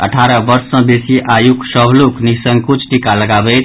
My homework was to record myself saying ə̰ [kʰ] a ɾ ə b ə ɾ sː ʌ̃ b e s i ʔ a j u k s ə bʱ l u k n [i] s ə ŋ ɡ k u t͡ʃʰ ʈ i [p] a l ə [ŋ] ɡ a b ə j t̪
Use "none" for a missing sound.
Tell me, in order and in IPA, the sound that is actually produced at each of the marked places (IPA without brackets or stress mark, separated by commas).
ʈʰ, i, k, none